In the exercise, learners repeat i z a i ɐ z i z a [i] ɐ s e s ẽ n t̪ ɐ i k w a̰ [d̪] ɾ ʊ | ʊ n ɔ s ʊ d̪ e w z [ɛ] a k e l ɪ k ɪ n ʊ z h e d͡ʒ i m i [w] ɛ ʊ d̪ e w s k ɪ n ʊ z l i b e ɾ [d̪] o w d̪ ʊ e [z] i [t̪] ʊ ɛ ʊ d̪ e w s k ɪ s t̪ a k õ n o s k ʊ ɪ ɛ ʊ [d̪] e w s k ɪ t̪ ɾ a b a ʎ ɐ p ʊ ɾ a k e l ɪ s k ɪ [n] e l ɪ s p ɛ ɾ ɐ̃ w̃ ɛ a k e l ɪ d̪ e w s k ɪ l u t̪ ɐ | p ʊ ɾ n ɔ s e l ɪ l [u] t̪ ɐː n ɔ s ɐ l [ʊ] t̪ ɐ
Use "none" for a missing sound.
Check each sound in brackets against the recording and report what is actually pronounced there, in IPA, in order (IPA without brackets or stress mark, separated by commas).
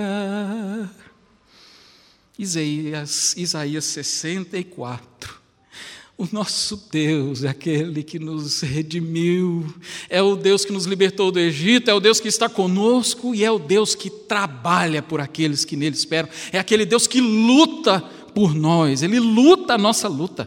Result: i, t̪, ɛ, w, t̪, ʒ, t̪, d̪, n, u, u